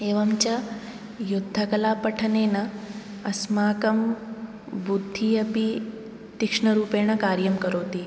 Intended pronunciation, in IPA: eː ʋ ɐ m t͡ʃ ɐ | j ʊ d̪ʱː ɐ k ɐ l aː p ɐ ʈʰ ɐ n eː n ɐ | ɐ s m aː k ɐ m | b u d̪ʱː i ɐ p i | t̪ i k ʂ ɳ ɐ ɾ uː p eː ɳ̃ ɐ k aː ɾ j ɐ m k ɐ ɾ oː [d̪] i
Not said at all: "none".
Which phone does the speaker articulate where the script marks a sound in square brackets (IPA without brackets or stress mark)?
t̪